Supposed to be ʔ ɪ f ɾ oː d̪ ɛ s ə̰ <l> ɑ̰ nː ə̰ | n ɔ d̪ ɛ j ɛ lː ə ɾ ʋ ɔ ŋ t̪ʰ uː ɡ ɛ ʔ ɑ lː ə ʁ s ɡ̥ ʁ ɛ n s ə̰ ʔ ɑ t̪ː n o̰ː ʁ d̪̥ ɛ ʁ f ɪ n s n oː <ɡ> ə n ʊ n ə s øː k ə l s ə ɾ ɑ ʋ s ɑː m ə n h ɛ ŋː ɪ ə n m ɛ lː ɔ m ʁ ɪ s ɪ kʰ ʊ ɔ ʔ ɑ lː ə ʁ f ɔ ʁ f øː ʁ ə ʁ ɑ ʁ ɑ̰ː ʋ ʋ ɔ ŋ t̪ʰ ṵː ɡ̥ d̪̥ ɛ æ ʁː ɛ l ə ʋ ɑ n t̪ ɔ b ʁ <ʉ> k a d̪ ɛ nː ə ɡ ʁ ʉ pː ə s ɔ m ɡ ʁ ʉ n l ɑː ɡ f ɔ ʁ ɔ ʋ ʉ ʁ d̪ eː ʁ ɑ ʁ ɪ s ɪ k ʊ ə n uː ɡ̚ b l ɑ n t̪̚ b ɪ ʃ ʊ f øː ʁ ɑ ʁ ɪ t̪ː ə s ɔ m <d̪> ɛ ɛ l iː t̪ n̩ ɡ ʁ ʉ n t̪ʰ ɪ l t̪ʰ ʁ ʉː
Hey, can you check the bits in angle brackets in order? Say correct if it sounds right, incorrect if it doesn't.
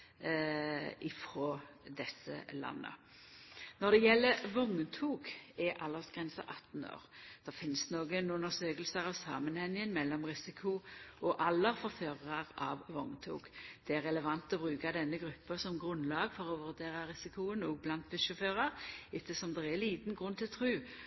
correct, correct, incorrect: ʉː, correct

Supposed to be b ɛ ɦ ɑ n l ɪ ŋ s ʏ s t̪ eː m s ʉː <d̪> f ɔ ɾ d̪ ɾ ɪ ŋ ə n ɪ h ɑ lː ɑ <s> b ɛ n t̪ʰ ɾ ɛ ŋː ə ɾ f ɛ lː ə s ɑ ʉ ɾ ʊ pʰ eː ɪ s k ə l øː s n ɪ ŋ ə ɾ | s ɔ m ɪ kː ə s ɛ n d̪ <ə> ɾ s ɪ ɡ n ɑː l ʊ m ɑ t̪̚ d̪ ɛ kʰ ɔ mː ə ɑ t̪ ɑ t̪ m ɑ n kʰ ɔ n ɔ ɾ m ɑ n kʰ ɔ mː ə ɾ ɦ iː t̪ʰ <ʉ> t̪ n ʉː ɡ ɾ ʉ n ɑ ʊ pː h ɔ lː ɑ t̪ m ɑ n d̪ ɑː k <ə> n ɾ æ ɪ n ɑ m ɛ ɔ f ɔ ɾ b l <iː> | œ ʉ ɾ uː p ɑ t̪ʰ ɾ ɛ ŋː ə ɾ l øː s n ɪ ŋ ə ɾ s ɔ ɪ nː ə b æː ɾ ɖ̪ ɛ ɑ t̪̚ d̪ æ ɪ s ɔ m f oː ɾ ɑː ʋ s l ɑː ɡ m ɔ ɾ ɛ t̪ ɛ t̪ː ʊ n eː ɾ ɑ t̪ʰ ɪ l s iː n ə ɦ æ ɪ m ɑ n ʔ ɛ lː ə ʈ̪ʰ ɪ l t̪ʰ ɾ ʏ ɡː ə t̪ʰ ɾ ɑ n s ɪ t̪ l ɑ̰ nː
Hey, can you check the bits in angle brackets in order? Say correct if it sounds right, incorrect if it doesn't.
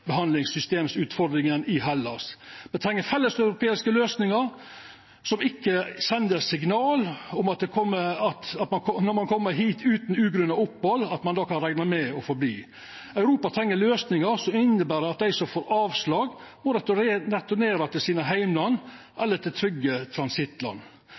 incorrect: t̪, correct, correct, incorrect: ʉː, incorrect: ɑ, correct

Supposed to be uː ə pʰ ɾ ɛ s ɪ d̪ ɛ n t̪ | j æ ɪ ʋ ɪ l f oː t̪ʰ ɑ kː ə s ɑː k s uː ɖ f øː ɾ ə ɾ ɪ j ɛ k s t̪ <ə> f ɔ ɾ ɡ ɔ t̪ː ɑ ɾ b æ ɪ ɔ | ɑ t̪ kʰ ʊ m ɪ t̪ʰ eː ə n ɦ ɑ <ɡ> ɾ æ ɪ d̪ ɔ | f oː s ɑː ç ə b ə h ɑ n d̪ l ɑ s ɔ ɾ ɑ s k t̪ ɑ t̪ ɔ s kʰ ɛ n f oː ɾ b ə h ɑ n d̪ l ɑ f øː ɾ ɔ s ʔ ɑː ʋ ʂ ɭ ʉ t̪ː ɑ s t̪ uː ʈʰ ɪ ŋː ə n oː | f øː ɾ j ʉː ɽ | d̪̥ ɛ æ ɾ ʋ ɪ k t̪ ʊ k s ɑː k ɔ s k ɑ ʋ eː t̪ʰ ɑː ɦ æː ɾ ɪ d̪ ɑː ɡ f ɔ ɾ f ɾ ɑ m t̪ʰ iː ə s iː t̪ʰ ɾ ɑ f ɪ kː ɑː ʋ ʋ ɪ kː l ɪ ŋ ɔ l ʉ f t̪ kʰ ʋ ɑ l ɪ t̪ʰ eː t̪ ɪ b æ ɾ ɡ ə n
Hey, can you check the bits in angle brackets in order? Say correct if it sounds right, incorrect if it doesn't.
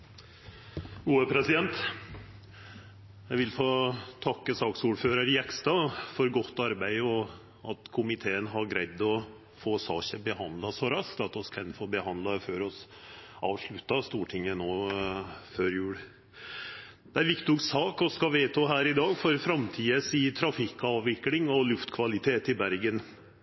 incorrect: ɑ, correct

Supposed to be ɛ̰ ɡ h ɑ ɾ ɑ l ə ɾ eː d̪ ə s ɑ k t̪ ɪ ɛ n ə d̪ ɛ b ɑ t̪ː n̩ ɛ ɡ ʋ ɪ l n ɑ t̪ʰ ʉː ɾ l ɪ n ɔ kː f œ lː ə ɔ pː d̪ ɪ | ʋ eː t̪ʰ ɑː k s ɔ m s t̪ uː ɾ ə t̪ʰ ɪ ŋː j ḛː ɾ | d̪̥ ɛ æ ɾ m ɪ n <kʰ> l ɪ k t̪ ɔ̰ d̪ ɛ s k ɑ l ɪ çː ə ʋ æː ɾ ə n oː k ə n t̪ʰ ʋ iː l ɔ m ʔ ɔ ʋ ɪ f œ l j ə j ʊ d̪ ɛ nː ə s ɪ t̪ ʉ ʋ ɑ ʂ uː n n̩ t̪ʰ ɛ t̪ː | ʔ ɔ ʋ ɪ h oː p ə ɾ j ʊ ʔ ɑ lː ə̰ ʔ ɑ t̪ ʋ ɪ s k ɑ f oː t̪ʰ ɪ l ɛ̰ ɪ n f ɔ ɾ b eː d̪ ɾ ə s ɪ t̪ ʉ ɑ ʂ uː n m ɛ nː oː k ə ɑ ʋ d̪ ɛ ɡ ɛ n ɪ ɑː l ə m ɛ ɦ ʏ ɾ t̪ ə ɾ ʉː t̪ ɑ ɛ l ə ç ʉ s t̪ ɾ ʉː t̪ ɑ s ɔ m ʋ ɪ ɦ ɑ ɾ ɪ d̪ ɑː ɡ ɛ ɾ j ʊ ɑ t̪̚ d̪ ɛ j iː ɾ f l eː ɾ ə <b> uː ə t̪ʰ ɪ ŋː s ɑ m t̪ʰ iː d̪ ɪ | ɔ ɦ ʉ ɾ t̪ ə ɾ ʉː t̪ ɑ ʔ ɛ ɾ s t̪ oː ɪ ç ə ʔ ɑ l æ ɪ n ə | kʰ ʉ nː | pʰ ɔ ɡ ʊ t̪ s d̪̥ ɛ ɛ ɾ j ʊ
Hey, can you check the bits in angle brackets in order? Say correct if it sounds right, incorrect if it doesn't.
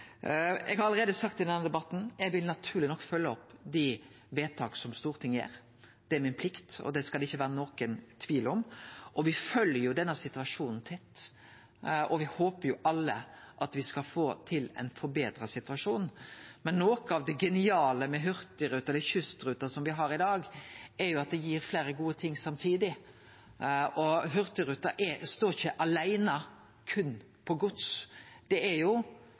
incorrect: pʰ, incorrect: ɡ

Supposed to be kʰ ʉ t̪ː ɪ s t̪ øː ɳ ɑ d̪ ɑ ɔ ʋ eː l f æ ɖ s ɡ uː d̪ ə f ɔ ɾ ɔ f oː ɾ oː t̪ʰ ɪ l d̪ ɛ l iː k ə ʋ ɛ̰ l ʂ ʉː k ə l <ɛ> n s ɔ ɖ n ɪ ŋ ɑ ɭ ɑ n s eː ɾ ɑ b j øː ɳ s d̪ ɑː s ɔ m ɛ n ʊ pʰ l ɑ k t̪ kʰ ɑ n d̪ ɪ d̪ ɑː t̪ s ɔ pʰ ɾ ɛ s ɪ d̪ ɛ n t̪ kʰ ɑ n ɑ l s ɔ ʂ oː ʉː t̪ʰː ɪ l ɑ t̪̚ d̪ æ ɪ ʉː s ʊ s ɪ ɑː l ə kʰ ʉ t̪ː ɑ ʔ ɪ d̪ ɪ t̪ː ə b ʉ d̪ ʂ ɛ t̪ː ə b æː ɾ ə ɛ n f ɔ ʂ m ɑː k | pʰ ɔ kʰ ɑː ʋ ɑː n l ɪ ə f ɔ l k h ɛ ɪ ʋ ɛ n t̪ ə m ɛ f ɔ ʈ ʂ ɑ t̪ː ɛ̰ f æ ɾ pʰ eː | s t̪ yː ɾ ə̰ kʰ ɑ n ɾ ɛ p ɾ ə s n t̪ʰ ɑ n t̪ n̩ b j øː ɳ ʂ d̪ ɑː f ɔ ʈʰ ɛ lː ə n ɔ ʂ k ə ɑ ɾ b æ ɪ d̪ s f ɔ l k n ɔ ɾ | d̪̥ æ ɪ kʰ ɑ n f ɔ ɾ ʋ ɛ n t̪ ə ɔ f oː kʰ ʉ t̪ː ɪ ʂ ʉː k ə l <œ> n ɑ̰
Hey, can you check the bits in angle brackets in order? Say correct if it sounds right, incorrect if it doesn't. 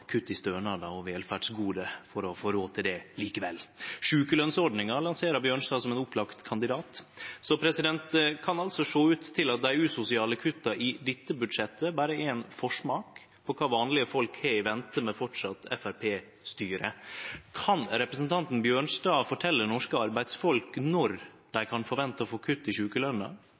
incorrect: œ, correct

